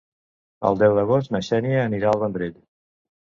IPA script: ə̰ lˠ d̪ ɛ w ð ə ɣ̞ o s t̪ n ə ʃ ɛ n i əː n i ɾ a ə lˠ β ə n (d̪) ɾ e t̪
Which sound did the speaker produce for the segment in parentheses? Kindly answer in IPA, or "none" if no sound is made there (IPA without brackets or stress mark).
d̪